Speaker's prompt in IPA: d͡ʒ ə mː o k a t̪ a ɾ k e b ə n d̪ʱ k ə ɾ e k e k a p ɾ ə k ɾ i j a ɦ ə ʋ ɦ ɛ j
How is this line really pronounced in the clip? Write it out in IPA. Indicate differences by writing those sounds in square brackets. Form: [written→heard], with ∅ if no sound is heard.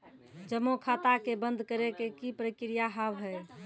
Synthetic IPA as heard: d͡ʒ ə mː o [k→kʰ] a t̪ a [ɾ→∅] k e b ə n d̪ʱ k ə ɾ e k e k [a→i] p ɾ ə k ɾ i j a ɦ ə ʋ ɦ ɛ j